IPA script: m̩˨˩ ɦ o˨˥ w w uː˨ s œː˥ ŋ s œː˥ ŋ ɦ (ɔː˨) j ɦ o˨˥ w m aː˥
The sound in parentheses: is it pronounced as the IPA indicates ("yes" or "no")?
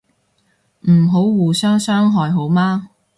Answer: yes